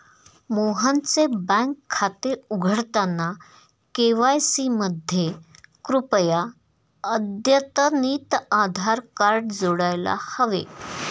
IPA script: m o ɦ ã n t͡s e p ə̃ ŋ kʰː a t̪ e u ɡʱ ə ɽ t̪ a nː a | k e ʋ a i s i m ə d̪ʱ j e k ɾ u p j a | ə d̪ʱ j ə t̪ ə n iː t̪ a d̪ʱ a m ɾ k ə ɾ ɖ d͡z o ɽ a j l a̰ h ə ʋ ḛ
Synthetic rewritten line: m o ɦ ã n t͡s e b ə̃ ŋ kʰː a t̪ e u ɡʱ ə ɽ t̪ a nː a | k e ʋ a j s i m ə d̪ʱ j e k ɾ u p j a | ə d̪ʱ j ə t̪ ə n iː t̪ a d̪ʱ a ɾ k a ɾ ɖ d͡z o ɽ a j l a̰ h ə ʋ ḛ